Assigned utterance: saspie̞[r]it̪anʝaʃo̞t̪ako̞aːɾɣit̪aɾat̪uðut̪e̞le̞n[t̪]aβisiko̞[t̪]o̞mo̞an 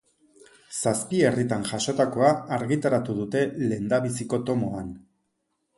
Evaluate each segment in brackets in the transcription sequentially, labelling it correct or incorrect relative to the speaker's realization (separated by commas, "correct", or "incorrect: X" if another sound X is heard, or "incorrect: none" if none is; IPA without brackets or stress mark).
correct, incorrect: d̪, correct